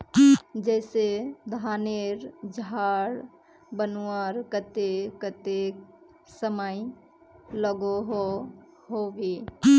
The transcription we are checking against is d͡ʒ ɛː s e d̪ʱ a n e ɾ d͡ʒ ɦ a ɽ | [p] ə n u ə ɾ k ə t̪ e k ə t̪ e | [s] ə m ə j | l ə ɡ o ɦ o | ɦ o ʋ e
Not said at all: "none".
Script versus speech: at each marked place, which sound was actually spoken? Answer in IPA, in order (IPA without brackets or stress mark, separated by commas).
b, s